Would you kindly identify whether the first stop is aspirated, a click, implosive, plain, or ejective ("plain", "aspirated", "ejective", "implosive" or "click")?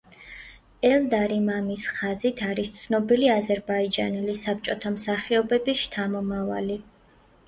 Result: plain